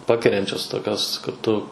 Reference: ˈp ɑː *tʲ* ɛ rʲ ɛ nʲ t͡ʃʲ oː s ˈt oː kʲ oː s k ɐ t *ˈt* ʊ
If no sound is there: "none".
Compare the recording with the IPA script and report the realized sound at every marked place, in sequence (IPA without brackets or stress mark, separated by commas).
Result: kʲ, t